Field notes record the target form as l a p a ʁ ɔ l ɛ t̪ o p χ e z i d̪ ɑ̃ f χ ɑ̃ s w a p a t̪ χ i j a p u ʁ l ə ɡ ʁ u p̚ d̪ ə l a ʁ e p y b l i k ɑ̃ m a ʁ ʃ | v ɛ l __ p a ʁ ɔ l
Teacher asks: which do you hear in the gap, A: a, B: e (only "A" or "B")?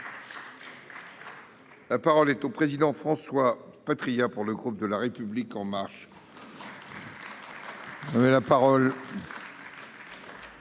A